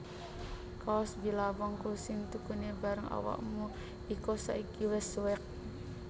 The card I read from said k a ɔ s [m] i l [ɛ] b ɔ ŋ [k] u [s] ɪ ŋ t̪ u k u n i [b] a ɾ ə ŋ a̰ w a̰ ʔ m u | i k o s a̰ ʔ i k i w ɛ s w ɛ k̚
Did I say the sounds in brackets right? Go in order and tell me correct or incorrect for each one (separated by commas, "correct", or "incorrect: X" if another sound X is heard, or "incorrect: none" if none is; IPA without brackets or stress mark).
incorrect: b, incorrect: a, correct, correct, correct